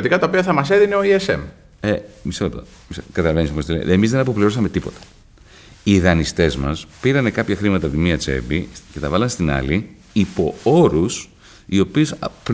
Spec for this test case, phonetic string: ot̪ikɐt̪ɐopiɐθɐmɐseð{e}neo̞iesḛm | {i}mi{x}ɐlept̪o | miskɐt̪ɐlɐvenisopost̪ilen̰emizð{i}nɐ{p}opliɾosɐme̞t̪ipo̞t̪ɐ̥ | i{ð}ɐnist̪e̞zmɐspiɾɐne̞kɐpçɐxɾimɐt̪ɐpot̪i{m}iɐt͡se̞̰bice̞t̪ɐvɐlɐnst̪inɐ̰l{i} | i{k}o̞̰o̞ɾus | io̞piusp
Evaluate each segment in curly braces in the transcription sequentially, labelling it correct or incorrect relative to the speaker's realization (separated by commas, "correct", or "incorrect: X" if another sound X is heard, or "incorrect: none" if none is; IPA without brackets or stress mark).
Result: incorrect: i, incorrect: e, incorrect: s, incorrect: e, correct, correct, correct, correct, incorrect: p